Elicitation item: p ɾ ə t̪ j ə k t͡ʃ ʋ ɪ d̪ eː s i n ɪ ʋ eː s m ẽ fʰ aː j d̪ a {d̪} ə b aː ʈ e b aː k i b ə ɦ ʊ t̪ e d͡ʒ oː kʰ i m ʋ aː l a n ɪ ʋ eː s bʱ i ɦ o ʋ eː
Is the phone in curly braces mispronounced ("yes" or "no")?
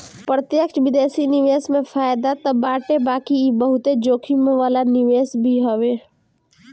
yes